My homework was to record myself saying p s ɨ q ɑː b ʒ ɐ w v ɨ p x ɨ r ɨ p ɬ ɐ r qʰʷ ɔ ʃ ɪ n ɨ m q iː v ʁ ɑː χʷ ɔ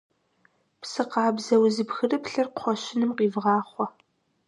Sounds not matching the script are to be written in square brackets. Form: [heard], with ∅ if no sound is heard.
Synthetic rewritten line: p s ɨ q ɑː b [z] ɐ w [z] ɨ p x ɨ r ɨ p ɬ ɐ r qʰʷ ɔ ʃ ɪ n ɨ m q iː v ʁ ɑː χʷ ɔ